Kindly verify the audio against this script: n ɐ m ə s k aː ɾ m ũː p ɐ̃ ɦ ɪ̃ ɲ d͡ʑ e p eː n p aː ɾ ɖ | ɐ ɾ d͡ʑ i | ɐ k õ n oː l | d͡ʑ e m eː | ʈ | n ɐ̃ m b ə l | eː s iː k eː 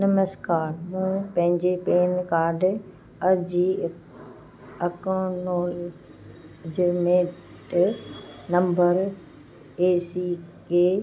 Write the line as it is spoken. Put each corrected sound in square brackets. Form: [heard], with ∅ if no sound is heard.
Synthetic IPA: n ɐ m ə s k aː ɾ m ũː p ɐ̃ ɦ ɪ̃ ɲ d͡ʑ e p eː n [k] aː ɾ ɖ | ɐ ɾ d͡ʑ i | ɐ k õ n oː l | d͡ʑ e m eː | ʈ | n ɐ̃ m b ə [ɾ] | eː s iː k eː

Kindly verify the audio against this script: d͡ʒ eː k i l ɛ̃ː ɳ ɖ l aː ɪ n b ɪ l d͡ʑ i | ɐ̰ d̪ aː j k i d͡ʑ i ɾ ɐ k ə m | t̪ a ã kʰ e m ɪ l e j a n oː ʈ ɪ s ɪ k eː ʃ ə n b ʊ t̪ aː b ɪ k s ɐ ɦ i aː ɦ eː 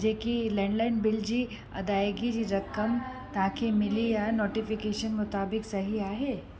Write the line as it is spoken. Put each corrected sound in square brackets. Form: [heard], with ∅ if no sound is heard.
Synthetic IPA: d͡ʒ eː k i l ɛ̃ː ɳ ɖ l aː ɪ n b ɪ l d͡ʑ i | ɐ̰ d̪ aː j [ɡ] i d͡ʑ i ɾ ɐ k ə m | t̪ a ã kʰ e m ɪ l [i] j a n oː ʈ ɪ [f] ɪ k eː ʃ ə n [m] ʊ t̪ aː b ɪ k s ɐ ɦ i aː ɦ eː

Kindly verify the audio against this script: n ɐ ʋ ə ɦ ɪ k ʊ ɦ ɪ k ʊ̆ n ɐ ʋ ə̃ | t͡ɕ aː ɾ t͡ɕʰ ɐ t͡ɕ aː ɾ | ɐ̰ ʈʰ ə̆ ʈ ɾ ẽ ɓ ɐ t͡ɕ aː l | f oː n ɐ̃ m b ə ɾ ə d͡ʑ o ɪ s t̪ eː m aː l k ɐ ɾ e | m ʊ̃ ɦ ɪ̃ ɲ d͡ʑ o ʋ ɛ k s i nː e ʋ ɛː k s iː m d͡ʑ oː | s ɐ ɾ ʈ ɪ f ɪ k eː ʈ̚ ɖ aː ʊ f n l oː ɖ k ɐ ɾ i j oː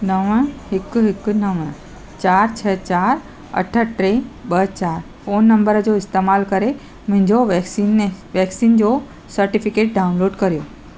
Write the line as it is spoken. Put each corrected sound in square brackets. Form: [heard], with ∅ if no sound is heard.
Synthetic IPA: n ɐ ʋ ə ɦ ɪ k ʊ ɦ ɪ k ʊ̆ n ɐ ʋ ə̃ | t͡ɕ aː ɾ t͡ɕʰ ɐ t͡ɕ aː ɾ | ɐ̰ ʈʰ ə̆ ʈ ɾ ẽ ɓ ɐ t͡ɕ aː [ɾ] | f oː [nː] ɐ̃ m b ə ɾ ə d͡ʑ o ɪ s t̪ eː m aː l k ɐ ɾ e | m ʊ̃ ɦ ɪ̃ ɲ d͡ʑ o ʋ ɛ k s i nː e ʋ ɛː k s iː [n] d͡ʑ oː | s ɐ ɾ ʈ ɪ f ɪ k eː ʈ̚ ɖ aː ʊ [∅] n l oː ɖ k ɐ ɾ i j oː

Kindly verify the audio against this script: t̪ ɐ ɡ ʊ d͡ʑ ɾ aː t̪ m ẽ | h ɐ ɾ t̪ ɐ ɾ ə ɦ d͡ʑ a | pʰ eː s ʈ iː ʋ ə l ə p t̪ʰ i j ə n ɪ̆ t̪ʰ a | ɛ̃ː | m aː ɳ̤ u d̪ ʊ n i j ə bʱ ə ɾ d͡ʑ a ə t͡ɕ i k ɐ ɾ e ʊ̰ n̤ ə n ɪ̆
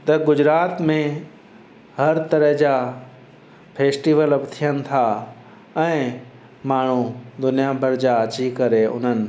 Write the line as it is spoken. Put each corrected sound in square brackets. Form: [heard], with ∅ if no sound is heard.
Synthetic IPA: t̪ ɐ ɡ ʊ d͡ʑ ɾ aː t̪ m ẽ | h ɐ ɾ t̪ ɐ ɾ ə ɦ d͡ʑ a | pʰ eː s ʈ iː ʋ ə l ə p t̪ʰ i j ə n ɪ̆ t̪ʰ a | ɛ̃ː | m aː ɳ̤ u d̪ ʊ n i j [a] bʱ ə ɾ d͡ʑ a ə t͡ɕ i k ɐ ɾ e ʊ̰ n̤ ə n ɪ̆

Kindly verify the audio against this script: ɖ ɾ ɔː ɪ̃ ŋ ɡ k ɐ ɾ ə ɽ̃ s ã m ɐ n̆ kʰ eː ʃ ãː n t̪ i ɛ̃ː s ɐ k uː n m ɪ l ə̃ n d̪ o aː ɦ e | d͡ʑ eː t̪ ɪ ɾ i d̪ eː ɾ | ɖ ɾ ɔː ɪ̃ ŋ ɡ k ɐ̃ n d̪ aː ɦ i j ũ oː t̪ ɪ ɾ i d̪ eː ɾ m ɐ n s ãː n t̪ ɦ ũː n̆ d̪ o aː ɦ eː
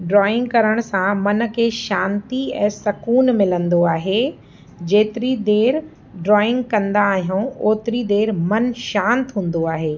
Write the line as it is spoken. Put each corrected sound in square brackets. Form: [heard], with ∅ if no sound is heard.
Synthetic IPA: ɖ ɾ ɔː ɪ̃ ŋ ɡ k ɐ ɾ ə ɽ̃ s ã m ɐ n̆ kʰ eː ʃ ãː n t̪ i ɛ̃ː s ɐ k uː n m ɪ l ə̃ n d̪ o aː ɦ e | d͡ʑ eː t̪ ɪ ɾ i d̪ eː ɾ | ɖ ɾ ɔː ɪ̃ ŋ ɡ k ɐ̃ n d̪ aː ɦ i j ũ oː t̪ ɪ ɾ i d̪ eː ɾ m ɐ n [ʃ] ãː n t̪ ɦ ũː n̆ d̪ o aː ɦ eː

